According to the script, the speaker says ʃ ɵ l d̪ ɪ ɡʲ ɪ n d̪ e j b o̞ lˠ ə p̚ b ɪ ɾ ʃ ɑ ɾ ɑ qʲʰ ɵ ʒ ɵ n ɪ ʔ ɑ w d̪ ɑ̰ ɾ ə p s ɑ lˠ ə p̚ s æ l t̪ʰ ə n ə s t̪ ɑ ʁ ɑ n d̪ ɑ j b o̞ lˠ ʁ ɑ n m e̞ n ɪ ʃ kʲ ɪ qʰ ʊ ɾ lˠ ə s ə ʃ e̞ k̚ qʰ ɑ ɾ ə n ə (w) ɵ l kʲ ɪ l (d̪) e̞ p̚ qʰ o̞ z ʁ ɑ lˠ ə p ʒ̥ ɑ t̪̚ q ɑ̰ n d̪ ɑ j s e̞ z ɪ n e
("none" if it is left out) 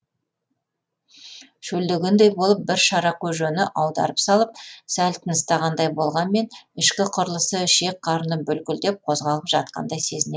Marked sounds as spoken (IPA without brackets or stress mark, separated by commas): b, d̪